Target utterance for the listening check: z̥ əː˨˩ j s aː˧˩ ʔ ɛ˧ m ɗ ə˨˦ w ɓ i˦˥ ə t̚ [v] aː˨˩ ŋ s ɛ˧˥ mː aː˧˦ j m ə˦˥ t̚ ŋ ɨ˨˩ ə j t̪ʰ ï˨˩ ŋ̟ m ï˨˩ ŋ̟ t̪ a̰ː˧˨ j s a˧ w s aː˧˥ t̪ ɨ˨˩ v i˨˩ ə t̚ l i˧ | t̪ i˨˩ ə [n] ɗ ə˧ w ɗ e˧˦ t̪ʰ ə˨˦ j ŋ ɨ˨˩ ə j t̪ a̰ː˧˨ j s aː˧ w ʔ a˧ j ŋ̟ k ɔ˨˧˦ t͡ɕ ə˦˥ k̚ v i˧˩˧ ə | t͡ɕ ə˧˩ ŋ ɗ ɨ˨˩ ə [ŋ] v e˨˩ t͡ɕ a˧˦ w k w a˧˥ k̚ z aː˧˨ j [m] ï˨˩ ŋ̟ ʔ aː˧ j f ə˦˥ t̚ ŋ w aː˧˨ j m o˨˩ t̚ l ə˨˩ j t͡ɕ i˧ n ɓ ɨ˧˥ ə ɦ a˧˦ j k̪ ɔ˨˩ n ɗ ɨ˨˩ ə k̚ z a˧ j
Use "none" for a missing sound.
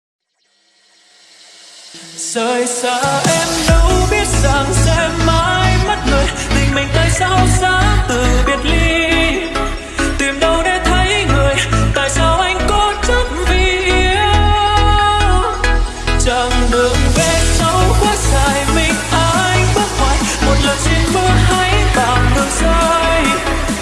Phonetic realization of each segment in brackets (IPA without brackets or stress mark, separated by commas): z, m, ŋ, m